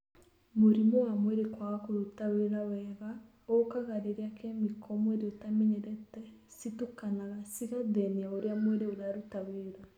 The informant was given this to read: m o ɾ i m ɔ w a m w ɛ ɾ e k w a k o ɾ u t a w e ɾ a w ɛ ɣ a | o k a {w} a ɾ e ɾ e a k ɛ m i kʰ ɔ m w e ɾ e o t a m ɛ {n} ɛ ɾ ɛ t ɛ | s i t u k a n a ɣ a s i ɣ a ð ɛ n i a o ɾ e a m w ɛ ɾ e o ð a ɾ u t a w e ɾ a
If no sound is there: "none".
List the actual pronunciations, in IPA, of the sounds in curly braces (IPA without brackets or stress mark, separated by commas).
ɣ, ɲ